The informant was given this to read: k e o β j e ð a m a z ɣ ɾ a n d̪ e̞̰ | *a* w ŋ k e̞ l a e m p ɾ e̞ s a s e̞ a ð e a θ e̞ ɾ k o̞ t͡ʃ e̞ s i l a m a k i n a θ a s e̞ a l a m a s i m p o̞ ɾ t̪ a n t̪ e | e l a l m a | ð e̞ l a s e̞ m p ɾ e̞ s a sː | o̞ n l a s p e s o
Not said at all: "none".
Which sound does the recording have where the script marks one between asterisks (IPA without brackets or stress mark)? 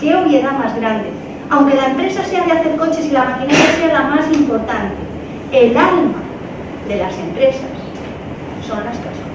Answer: a